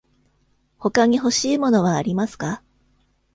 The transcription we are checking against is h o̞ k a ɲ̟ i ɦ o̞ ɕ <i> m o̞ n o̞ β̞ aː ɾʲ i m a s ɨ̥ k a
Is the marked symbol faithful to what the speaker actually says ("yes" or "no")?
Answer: no